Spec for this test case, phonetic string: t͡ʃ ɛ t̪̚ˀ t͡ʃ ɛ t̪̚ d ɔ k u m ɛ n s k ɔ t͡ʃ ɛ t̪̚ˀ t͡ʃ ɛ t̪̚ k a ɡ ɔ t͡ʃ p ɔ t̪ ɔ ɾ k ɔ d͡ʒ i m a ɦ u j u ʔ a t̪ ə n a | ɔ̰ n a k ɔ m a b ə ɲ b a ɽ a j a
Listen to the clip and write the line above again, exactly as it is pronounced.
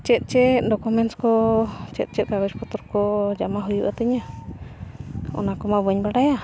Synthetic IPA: t͡ʃ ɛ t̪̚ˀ t͡ʃ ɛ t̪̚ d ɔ k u m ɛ n s k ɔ t͡ʃ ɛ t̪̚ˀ t͡ʃ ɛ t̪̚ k a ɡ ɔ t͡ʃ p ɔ t̪ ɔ ɾ k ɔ d͡ʒ a m a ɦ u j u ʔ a t̪ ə ɲ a | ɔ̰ n a k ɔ m a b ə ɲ b a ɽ a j a

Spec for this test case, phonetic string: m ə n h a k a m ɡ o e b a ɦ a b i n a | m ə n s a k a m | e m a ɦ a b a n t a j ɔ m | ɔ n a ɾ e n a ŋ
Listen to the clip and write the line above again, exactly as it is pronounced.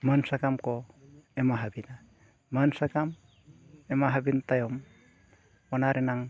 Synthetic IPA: m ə n s a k a m k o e m a ɦ a b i n a | m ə n s a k a m | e m a ɦ a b i n t a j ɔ m | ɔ n a ɾ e n a ŋ

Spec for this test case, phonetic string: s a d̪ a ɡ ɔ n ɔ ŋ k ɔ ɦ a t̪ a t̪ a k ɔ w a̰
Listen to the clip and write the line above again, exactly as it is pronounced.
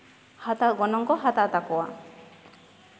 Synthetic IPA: h a t̪ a ɡ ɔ n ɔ ŋ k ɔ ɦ a t̪ a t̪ a k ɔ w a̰

